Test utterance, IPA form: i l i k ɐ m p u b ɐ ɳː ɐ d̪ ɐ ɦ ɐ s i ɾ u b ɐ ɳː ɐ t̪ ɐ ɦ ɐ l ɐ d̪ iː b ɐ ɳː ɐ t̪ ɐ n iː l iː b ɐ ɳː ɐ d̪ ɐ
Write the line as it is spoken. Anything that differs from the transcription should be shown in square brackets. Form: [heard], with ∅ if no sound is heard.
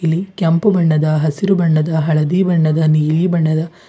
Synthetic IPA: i l i k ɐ m p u b ɐ ɳː ɐ d̪ ɐ ɦ ɐ s i ɾ u b ɐ ɳː ɐ [d̪] ɐ ɦ ɐ [ɭ] ɐ d̪ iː b ɐ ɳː ɐ [d̪] ɐ n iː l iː b ɐ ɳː ɐ d̪ ɐ